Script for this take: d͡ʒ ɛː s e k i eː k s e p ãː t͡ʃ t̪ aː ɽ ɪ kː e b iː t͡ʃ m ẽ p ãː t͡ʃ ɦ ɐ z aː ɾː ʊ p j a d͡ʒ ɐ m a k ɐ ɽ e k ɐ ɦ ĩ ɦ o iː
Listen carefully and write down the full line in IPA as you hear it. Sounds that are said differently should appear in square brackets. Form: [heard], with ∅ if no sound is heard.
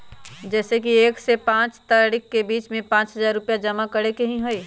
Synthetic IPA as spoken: d͡ʒ ɛː s e k i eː k s e p ãː t͡ʃ t̪ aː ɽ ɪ kː e b iː t͡ʃ m ẽ p ãː t͡ʃ ɦ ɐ z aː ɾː ʊ p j a d͡ʒ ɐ m a k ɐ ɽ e k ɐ ɦ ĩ ɦ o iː